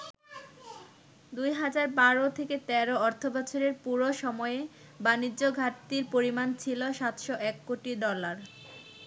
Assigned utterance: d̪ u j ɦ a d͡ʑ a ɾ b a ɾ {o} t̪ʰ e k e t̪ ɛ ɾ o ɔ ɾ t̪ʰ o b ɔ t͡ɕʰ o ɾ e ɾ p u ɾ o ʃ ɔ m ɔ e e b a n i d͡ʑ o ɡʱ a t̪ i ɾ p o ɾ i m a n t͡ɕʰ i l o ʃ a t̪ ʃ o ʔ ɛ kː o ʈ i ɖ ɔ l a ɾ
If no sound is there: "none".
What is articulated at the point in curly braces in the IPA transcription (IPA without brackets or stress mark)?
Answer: o